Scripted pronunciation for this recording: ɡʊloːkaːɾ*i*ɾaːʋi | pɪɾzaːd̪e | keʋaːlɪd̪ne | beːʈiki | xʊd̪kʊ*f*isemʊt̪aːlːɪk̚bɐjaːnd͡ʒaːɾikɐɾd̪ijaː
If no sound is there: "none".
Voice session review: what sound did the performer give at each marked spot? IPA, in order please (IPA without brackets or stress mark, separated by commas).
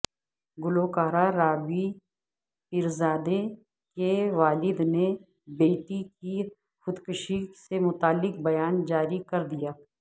a, ʃ